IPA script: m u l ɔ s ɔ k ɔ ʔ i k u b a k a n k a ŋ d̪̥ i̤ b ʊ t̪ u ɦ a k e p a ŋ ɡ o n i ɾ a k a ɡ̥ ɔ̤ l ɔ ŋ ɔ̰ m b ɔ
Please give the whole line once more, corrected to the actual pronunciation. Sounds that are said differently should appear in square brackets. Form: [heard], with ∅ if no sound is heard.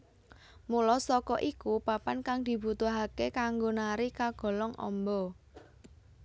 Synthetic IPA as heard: m u l ɔ s ɔ k ɔ ʔ i k u [p] a [p] a n k a ŋ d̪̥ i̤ b [u] t̪ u ɦ a k e [k] a ŋ ɡ o n [a] ɾ [i] k a ɡ̥ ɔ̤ l ɔ ŋ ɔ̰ m b ɔ